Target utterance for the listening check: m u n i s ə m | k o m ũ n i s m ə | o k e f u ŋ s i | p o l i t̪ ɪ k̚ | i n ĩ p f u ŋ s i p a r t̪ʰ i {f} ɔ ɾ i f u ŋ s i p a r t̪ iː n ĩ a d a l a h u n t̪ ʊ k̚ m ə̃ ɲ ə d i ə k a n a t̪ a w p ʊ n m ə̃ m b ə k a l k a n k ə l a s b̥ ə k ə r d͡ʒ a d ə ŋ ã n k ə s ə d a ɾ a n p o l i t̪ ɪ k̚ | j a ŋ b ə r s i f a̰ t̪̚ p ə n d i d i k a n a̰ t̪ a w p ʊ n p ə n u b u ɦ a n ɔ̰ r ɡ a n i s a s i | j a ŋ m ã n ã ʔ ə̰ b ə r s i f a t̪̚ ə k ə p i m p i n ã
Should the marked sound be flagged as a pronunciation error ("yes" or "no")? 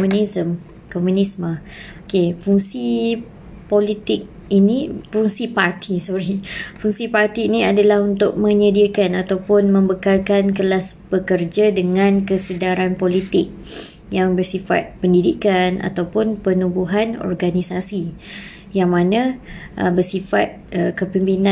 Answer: yes